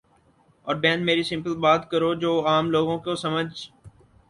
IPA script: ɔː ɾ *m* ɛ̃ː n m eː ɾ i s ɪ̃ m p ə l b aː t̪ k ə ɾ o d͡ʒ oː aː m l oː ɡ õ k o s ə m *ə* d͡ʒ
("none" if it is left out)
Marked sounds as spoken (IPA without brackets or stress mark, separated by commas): b, ə